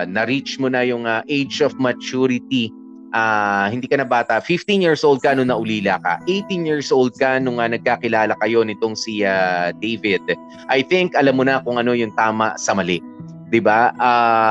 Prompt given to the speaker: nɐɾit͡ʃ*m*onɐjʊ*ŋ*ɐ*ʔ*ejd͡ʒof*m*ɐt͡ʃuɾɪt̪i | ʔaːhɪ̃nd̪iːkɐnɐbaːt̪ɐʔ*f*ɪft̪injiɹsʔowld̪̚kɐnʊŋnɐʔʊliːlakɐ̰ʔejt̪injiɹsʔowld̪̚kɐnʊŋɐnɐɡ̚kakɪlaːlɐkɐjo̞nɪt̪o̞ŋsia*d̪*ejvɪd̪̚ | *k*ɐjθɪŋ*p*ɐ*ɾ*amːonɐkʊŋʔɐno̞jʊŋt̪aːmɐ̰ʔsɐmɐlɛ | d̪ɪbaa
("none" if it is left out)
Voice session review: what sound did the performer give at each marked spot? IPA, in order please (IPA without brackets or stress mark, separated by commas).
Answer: m, ŋ, ʔ, m, f, d̪, ʔ, k, l